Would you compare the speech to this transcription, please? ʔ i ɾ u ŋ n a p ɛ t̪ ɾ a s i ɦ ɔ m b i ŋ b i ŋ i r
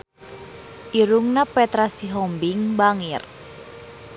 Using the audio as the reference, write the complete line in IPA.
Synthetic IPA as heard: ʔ i ɾ u ŋ n a p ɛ t̪ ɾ a s i ɦ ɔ m b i ŋ b a ŋ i r